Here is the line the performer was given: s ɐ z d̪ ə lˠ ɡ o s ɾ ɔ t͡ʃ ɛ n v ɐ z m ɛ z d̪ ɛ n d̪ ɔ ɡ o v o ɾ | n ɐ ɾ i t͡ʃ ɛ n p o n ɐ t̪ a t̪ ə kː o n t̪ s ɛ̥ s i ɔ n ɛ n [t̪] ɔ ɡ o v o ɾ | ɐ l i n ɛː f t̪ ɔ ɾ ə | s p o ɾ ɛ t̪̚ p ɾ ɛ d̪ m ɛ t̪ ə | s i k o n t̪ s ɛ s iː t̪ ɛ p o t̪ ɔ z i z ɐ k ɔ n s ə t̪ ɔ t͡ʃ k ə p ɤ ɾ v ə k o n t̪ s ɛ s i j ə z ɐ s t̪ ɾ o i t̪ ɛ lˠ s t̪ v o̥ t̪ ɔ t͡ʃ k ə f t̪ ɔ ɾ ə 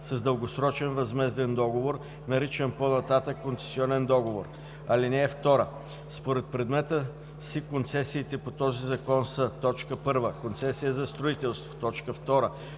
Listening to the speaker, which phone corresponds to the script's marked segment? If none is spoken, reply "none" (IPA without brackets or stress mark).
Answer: d̪